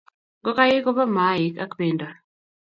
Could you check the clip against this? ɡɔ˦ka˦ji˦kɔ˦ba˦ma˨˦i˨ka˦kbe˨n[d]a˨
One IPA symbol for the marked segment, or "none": d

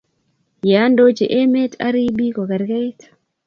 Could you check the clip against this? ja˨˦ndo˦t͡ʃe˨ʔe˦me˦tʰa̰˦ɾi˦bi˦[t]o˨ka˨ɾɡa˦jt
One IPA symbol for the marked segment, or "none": k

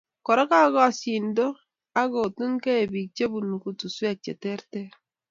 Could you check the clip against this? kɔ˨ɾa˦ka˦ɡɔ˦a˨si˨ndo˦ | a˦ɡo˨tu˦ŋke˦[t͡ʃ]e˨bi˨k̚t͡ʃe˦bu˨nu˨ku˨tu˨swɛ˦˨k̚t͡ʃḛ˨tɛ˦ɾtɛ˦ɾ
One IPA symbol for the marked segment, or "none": none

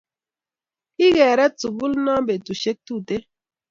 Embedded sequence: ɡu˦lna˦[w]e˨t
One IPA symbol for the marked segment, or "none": b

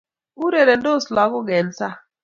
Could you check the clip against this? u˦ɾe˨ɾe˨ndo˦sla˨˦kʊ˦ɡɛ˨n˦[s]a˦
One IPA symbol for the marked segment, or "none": s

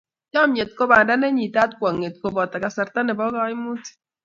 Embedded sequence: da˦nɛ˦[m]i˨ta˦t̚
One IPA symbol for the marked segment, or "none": ɲ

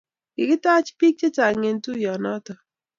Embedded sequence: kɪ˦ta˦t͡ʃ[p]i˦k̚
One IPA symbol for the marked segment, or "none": p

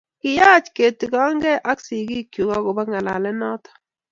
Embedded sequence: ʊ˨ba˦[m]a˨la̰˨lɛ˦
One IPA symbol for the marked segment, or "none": ŋ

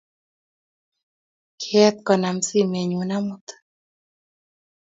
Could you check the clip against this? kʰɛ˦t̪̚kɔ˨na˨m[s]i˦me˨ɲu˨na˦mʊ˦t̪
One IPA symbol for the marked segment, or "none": s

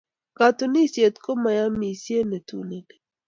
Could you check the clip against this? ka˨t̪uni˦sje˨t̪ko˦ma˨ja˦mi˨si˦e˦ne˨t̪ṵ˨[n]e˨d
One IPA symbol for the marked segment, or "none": n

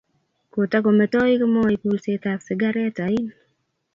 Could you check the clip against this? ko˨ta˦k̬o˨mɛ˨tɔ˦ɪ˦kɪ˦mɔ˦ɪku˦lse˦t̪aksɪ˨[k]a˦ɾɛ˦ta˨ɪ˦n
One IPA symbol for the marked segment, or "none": ɡ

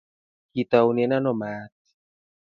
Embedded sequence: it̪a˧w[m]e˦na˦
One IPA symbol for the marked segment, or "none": n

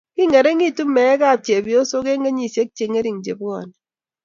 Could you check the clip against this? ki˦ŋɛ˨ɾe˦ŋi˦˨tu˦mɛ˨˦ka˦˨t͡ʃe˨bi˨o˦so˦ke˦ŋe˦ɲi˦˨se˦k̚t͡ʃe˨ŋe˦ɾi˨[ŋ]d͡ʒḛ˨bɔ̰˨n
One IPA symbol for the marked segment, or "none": ŋ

